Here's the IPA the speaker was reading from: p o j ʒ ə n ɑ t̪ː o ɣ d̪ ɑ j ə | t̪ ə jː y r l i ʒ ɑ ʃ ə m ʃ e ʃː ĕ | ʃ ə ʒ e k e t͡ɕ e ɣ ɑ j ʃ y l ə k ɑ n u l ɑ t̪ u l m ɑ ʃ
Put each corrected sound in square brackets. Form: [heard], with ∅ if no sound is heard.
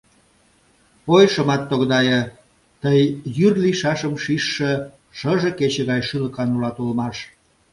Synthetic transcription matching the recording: p o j [ʃ] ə [m] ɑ t̪ː o ɣ d̪ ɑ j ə | t̪ ə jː y r l i [ʃ] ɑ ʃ ə m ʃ [i] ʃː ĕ | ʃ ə ʒ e k e t͡ɕ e ɣ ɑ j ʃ y l ə k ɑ n u l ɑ t̪ u l m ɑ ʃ